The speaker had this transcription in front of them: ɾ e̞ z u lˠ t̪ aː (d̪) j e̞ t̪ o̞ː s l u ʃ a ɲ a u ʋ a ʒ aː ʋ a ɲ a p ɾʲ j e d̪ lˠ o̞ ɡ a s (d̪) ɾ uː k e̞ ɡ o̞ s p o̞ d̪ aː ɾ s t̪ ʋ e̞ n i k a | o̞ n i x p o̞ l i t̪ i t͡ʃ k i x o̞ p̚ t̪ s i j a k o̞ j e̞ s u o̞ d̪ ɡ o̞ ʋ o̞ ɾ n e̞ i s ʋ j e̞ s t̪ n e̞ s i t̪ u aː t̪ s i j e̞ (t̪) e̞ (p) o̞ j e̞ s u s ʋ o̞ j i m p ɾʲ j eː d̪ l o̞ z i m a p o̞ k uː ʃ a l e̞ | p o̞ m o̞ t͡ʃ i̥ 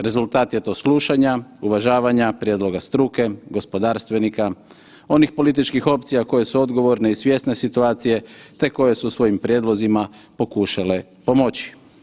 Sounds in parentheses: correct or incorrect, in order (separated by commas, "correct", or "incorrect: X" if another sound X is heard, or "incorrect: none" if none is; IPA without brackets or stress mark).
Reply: incorrect: t̪, incorrect: t̪, correct, incorrect: k